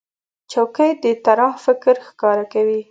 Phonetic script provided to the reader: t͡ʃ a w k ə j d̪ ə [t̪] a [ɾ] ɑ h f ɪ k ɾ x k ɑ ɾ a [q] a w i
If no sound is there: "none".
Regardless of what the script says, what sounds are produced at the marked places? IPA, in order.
t̪, ɾ, k

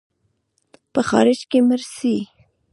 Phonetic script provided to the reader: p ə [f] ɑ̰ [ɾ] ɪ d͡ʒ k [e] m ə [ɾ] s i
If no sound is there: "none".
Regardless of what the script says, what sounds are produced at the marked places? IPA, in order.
x, ɾ, e, ɾ

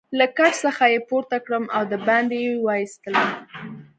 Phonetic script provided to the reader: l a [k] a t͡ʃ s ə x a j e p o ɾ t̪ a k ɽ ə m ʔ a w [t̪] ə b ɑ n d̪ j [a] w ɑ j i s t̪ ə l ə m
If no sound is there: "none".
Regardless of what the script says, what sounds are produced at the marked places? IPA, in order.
k, d̪, e

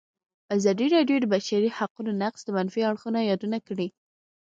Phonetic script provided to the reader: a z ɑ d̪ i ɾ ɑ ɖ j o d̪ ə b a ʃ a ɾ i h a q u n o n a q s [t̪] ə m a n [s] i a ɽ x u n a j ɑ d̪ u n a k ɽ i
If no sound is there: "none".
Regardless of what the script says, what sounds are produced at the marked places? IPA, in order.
d̪, f

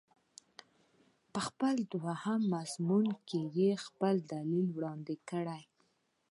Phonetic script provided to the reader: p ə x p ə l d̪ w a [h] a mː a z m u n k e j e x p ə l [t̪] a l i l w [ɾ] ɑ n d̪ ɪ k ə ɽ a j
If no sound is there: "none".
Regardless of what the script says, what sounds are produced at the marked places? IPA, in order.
h, d̪, ɽ

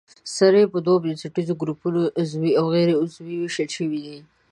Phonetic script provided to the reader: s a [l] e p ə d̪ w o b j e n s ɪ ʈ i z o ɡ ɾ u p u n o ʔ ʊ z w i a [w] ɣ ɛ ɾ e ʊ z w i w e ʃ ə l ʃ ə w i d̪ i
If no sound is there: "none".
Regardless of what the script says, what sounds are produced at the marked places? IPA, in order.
ɾ, w

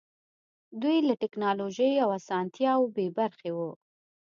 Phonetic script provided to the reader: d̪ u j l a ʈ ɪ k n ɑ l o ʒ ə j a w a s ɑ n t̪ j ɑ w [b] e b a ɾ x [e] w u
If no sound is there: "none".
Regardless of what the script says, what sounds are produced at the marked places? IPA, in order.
b, e

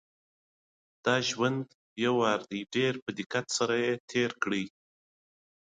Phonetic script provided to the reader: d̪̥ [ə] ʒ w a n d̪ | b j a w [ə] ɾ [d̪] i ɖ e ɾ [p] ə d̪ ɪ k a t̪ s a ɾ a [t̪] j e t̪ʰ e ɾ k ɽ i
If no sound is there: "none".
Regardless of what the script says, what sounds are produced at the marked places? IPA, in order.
ɑ, ɑ, d̪, p, none

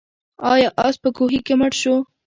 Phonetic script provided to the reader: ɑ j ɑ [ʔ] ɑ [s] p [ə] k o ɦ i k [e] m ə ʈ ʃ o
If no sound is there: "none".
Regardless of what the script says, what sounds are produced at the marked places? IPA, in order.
ʔ, s, ə, e

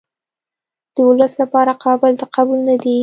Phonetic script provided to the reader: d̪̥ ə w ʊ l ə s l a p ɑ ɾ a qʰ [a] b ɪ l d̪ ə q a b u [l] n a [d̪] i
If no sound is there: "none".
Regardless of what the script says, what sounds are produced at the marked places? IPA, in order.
ɑ, l, d̪

